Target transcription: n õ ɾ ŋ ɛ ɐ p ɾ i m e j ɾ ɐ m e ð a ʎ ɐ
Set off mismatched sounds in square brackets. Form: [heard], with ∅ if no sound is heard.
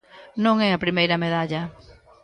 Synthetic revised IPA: n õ [∅] ŋ ɛ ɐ p ɾ i m e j ɾ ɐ m e ð a ʎ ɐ